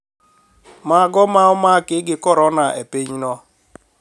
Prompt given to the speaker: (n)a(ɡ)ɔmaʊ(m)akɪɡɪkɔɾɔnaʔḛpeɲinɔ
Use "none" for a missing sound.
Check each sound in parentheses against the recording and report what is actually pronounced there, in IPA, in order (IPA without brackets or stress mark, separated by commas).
m, ɡ, m